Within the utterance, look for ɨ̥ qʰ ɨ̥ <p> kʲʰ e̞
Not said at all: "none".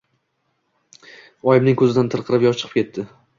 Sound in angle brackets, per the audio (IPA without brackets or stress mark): p